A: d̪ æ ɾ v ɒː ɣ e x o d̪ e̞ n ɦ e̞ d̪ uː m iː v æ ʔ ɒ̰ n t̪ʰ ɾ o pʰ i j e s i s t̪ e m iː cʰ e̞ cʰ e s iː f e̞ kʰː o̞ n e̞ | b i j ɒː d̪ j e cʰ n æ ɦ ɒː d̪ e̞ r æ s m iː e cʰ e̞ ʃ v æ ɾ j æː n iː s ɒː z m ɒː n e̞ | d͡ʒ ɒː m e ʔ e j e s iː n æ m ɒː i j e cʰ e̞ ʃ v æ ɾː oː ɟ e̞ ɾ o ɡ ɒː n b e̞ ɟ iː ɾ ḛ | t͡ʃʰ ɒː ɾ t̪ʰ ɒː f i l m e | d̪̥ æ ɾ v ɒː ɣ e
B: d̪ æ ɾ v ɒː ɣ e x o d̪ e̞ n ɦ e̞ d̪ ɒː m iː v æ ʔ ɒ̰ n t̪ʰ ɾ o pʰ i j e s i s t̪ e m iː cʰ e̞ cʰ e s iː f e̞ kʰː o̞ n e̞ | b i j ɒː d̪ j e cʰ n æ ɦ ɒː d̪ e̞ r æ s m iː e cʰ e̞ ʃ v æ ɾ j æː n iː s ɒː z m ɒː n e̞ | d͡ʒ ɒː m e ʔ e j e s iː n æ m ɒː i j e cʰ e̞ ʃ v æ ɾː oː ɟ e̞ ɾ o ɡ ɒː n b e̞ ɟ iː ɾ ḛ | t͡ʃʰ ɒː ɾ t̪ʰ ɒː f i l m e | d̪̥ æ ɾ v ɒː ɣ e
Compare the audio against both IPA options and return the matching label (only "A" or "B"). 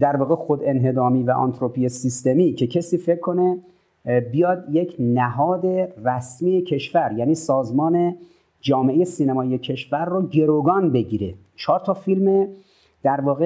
B